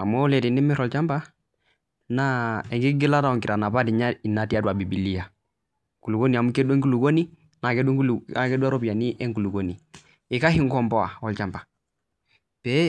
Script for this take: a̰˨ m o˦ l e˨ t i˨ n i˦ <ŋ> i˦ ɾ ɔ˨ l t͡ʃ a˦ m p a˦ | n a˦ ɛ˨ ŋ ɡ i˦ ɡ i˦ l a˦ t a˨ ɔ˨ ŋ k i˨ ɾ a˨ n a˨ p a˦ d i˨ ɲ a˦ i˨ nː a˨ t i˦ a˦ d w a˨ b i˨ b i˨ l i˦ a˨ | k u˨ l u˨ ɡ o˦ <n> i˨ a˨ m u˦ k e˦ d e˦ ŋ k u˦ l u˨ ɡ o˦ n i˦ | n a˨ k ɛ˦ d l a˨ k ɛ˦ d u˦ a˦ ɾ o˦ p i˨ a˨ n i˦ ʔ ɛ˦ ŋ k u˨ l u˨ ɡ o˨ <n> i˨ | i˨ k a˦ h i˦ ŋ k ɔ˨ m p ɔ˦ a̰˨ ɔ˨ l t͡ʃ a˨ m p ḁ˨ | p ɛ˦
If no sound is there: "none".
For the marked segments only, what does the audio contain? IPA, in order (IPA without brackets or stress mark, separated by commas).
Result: m, n, n